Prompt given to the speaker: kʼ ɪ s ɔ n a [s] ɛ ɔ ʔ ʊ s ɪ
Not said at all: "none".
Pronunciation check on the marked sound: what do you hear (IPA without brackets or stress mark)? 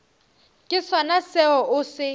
s